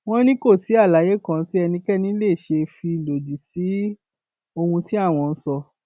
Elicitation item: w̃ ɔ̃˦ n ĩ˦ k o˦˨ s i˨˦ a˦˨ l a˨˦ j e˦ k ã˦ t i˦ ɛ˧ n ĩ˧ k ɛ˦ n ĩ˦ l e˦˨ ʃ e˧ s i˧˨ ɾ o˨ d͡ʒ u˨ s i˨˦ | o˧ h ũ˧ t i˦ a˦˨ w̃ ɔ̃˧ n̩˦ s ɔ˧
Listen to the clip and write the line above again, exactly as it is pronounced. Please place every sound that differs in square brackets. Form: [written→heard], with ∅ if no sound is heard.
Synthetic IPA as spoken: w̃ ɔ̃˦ n ĩ˦ k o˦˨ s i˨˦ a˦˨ l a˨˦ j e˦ k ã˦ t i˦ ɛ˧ n ĩ˧ k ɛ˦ n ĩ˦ l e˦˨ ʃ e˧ [s→f] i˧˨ [ɾ→l] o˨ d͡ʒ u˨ s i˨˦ | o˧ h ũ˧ t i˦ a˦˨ w̃ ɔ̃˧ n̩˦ s ɔ˧